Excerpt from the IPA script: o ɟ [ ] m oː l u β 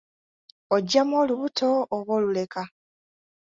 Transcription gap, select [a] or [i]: a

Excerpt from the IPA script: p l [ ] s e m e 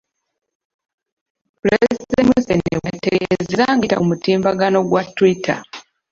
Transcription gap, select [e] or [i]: e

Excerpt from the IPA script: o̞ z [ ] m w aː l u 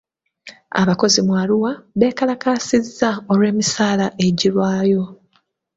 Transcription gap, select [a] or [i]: i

